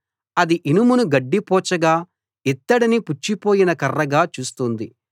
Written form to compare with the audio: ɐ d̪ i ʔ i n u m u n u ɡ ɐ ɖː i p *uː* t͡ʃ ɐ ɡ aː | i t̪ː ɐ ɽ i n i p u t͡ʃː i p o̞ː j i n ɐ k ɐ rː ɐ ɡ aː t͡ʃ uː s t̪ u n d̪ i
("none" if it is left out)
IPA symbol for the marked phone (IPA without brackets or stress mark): ɔː